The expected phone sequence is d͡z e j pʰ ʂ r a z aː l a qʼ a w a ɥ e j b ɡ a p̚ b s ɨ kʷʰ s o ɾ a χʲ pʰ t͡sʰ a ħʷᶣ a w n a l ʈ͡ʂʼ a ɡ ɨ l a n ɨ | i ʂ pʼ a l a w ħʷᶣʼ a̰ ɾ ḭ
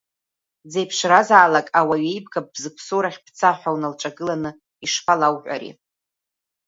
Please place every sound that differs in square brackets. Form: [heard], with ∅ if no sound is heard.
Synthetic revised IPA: d͡z e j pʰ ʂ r a z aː l a [kʼ] a w a ɥ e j b ɡ a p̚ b [z] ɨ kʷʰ s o ɾ a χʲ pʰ t͡sʰ a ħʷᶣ a w n a l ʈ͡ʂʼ a ɡ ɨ l a n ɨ | i ʂ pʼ a l a w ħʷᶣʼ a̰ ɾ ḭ